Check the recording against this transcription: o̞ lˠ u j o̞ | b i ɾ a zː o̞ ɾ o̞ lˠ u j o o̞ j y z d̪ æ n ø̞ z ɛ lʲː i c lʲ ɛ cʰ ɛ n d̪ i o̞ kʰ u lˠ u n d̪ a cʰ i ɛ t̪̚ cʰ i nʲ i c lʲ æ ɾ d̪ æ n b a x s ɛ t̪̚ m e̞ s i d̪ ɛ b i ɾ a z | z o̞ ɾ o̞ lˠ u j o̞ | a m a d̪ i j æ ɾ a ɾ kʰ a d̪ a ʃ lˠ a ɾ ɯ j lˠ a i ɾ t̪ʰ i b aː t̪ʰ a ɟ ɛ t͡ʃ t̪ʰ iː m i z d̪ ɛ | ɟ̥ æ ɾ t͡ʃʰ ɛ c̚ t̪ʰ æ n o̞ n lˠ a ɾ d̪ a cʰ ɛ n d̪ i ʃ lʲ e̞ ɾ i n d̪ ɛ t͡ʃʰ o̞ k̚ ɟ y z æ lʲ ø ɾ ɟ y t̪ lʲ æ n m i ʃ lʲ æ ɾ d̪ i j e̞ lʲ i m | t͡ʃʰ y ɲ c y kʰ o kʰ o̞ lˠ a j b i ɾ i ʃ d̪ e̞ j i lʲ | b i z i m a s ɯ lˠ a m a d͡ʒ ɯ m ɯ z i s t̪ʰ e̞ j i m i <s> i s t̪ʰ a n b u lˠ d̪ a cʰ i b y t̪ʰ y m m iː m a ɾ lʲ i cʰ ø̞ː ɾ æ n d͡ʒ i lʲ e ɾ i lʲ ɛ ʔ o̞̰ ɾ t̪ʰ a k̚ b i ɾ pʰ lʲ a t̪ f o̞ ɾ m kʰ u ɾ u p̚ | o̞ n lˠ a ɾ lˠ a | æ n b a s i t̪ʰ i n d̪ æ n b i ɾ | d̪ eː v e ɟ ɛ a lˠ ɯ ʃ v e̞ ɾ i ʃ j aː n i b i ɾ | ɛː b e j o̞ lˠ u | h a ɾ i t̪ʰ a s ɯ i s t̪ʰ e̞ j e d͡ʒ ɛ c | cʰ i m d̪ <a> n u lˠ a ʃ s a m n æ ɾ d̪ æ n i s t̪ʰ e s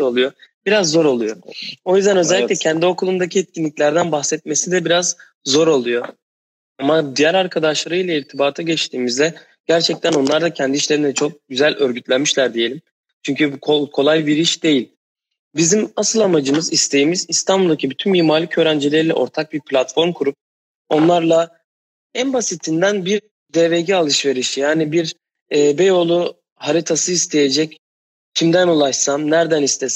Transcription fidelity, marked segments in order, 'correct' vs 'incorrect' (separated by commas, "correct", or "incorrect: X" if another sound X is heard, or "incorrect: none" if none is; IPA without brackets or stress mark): incorrect: z, incorrect: æ